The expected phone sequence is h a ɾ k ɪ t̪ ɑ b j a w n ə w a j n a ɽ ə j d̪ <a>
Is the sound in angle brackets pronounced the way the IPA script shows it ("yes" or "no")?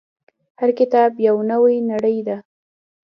yes